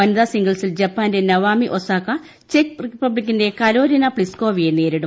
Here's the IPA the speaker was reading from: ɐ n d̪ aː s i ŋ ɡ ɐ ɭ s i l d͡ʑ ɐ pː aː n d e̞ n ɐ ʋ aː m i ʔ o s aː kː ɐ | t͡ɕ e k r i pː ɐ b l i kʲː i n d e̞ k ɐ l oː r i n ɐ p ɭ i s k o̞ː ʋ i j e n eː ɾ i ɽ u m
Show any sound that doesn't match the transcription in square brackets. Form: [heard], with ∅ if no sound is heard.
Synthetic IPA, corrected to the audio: ɐ n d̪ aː s i ŋ ɡ ɐ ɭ s i l d͡ʑ ɐ pː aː n d e̞ n ɐ ʋ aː m i ʔ o s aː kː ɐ | t͡ɕ e k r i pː ɐ b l i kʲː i n d e̞ k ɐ l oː [ɾ] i n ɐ p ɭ i s k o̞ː ʋ i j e n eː ɾ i ɽ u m